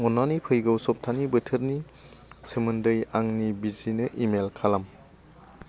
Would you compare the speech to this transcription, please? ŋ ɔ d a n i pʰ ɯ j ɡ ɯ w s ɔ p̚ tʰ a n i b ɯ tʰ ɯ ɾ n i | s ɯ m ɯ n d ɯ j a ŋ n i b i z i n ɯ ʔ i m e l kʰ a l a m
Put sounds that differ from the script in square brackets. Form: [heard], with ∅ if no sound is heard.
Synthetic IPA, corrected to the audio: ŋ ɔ [n] a n i pʰ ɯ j ɡ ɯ w s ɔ p̚ tʰ a n i b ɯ tʰ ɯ ɾ n i | s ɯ m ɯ n d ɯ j a ŋ n i b i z i n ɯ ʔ i m e l kʰ a l a m